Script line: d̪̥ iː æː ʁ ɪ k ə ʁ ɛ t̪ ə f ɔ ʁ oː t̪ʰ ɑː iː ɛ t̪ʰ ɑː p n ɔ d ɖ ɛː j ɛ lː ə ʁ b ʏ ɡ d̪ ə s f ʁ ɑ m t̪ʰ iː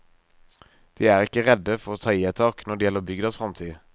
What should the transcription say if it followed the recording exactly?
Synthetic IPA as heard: d̪̥ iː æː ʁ ɪ k ə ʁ ɛ d̪ ə f ɔ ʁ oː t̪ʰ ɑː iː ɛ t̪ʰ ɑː k n ɔ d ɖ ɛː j ɛ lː ə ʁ b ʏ ɡ d̪ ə s f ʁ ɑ m t̪ʰ iː